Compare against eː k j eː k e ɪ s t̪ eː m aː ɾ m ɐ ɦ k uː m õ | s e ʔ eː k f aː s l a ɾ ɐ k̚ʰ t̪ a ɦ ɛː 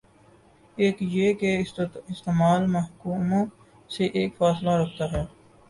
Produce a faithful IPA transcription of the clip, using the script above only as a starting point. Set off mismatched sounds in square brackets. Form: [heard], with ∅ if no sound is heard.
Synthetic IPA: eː k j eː k e ɪ s t̪ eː m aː [l] m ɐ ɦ k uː m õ | s e ʔ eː k f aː s l a ɾ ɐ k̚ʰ t̪ a ɦ ɛː